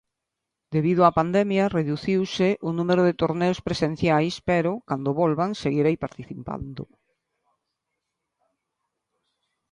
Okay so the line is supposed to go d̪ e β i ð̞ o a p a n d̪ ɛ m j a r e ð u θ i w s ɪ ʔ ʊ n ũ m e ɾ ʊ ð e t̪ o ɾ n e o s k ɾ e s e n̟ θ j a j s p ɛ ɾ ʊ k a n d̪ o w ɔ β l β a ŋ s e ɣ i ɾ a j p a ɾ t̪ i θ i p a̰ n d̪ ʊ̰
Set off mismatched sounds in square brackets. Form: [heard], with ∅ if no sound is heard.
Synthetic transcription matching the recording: d̪ e β i ð̞ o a p a n d̪ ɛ m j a r e ð u θ i w s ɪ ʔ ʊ n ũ m e ɾ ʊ ð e t̪ o ɾ n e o s [p] ɾ e s e n̟ θ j a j s p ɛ ɾ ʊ k a n d̪ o [β] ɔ [∅] l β a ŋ s e ɣ i ɾ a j p a ɾ t̪ i θ i p a̰ n d̪ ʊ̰